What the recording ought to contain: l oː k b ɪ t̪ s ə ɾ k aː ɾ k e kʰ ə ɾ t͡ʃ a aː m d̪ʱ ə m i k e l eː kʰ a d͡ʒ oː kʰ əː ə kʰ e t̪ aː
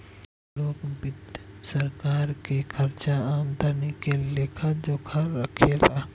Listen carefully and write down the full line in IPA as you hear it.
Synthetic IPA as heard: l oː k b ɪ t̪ s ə ɾ k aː ɾ k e kʰ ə ɾ t͡ʃ a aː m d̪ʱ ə n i k e l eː kʰ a d͡ʒ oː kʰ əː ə kʰ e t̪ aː